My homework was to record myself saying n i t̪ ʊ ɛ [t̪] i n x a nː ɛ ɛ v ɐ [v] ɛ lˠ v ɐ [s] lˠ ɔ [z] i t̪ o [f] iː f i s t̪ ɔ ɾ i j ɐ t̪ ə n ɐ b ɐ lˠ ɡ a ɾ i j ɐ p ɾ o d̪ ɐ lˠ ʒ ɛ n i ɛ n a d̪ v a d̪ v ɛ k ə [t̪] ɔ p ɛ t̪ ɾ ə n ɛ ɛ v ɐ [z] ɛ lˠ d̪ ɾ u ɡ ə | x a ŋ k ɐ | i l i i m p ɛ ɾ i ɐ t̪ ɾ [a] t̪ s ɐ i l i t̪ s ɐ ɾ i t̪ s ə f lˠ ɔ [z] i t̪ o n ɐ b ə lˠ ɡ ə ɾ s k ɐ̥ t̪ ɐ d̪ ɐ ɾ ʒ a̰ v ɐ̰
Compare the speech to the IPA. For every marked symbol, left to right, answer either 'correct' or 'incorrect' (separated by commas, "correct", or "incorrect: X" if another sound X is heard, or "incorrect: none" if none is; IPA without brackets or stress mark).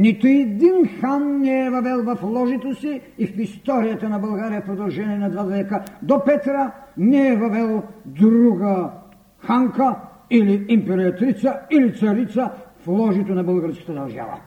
incorrect: d̪, correct, incorrect: f, incorrect: ʒ, incorrect: s, incorrect: d̪, incorrect: v, incorrect: i, incorrect: ʒ